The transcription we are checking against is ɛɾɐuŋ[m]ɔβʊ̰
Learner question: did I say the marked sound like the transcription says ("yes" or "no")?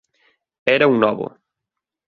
no